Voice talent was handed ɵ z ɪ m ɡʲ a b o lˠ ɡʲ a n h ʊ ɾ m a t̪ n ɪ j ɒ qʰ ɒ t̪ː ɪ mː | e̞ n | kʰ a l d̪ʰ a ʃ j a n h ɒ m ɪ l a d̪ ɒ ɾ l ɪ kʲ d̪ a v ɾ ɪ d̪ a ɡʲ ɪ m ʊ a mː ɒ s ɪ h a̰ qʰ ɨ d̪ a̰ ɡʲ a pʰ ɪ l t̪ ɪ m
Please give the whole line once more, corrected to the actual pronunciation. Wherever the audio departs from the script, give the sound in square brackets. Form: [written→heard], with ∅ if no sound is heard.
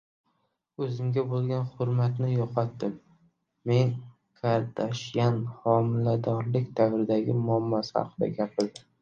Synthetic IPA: ɵ z ɪ m ɡʲ a b o lˠ ɡʲ a n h ʊ ɾ m a t̪ n ɪ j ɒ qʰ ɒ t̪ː ɪ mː | e̞ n | kʰ a [l→ɾ] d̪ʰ a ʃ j a n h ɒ m ɪ l a d̪ ɒ ɾ l ɪ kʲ d̪ a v ɾ ɪ d̪ a ɡʲ ɪ m ʊ a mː ɒ s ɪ h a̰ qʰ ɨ d̪ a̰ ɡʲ a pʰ ɪ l [t̪→d̪] ɪ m